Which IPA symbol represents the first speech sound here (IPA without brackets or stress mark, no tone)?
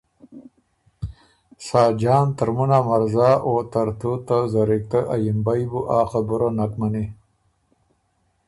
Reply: s